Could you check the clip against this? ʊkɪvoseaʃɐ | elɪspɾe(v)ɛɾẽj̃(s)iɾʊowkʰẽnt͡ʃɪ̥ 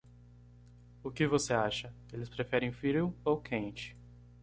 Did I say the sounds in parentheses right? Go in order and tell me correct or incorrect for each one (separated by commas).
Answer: incorrect, incorrect